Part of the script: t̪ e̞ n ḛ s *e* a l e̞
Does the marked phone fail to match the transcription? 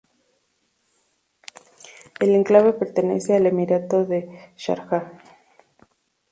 no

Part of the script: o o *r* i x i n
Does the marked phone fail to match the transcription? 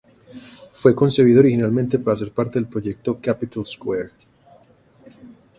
yes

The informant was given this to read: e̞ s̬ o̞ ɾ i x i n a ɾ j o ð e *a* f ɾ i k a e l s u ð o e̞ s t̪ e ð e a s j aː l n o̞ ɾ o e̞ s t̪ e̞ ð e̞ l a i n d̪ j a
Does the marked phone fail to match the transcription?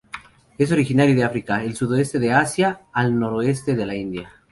no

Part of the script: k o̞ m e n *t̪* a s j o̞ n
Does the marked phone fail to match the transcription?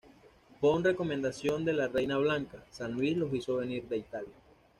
yes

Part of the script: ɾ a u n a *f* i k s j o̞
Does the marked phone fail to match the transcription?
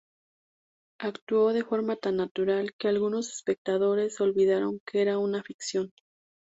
no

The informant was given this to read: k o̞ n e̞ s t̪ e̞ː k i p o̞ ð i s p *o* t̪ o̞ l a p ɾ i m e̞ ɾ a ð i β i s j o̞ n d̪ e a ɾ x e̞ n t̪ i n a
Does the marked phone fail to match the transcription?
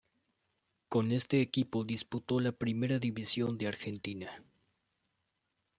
yes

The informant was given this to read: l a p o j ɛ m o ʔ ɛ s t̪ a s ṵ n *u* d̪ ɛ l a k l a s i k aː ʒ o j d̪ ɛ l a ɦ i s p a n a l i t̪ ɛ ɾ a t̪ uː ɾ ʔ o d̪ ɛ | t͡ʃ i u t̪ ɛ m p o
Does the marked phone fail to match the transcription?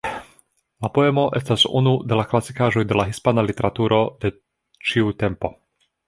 no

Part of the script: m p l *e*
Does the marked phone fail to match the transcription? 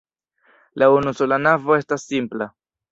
yes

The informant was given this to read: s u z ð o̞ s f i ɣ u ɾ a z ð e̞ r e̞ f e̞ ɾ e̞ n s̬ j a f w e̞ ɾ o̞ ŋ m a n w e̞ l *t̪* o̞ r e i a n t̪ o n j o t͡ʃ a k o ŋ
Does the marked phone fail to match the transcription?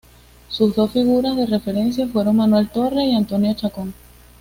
no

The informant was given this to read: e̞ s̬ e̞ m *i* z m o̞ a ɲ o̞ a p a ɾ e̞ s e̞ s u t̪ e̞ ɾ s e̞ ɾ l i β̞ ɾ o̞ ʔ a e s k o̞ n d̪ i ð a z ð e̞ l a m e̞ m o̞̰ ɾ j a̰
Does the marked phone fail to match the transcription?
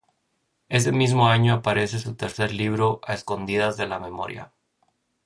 no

